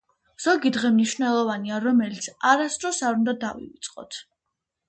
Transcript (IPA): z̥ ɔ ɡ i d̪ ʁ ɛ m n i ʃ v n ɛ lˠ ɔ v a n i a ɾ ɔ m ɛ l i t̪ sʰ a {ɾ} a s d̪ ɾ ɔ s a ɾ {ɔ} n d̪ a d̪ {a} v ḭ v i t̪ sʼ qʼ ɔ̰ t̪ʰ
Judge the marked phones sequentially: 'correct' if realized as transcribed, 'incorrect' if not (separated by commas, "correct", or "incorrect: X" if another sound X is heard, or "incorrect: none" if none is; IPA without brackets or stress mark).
correct, incorrect: u, correct